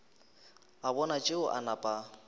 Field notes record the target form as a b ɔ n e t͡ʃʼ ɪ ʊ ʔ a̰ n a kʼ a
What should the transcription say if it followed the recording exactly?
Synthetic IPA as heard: a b ɔ n a t͡ʃʼ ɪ ʊ ʔ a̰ n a pʼ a

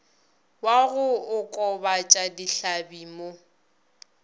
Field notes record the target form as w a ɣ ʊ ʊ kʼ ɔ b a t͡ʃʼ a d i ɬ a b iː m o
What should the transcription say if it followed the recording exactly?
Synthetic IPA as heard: w a ɣ ʊ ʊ kʼ ɔ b a t͡ʃʼ a d i ɬ a b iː m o

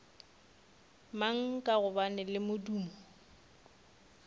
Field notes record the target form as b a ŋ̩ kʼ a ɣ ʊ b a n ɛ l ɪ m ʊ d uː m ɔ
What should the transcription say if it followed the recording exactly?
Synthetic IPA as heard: m a ŋ̩ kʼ a ɣ ʊ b a n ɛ l ɪ m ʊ d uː m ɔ

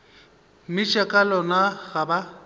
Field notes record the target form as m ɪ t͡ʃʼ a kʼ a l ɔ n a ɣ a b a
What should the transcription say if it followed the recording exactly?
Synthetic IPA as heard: m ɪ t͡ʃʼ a kʼ a l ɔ n a ɣ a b a

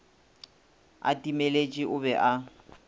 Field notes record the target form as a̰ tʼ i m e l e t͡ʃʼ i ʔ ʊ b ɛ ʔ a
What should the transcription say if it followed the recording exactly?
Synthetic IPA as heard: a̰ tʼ i m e l e t͡ʃʼ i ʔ ʊ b ɛ ʔ a

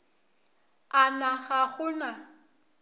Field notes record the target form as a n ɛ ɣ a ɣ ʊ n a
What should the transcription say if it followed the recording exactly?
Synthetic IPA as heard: a n a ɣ a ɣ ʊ n a

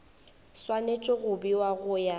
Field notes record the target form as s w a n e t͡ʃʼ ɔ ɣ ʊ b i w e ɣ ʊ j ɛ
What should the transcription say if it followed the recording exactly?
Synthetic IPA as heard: s w a n e t͡ʃʼ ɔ ɣ ʊ b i w a ɣ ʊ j a

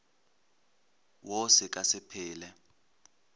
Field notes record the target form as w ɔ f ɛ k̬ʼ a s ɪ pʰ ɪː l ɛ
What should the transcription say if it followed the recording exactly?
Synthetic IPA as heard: w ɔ s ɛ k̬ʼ a s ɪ pʰ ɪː l ɛ

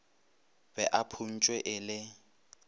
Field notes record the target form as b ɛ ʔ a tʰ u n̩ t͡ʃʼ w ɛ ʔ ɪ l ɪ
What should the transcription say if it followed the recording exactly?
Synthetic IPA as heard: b ɛ ʔ a pʰ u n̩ t͡ʃʼ w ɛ ʔ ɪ l ɪ

